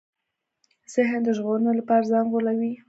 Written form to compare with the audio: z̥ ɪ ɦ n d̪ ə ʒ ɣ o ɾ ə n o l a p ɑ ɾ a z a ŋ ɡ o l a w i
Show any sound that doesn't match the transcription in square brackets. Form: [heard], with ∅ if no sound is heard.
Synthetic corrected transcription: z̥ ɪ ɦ n d̪ ə ʒ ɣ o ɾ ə n o l a p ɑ ɾ a z [ɑ] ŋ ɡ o l a w i